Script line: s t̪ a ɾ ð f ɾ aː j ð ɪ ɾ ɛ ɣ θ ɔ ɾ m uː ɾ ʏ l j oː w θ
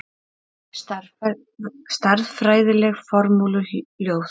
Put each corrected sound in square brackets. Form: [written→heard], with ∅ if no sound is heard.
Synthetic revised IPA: s t̪ a ɾ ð f ɾ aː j ð ɪ [ɾ→l] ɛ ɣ [θ→f] ɔ ɾ m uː [ɾ→l] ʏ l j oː w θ